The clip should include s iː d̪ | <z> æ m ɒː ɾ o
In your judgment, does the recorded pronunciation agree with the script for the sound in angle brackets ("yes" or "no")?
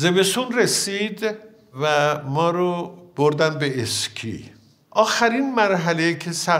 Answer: no